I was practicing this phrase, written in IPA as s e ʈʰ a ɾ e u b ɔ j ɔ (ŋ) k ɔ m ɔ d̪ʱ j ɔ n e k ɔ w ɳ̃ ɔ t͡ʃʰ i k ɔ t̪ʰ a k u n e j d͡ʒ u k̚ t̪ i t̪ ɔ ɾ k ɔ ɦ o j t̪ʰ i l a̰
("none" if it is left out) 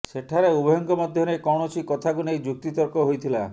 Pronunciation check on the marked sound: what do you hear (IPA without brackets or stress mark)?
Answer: ŋ